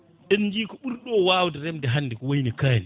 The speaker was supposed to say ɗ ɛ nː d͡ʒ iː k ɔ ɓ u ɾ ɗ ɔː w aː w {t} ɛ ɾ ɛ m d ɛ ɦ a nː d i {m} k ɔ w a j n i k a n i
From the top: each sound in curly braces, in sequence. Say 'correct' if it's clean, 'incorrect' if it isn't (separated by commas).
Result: incorrect, incorrect